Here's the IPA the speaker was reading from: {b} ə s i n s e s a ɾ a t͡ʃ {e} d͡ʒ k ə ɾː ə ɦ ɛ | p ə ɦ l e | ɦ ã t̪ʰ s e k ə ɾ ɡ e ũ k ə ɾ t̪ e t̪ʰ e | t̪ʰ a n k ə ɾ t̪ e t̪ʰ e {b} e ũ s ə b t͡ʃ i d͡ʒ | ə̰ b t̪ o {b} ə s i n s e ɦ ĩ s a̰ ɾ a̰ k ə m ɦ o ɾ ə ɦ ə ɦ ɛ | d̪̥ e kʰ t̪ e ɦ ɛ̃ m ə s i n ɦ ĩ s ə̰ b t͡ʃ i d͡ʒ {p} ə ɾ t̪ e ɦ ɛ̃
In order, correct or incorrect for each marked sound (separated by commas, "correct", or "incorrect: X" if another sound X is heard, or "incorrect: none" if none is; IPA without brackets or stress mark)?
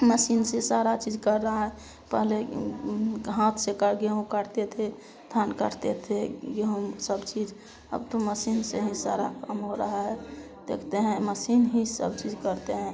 incorrect: m, incorrect: i, incorrect: ɡ, incorrect: m, incorrect: k